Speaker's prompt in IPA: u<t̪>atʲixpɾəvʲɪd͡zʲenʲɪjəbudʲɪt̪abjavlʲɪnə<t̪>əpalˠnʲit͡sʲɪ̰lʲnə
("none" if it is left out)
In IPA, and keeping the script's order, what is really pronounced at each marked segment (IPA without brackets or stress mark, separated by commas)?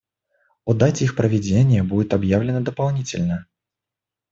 d̪, d̪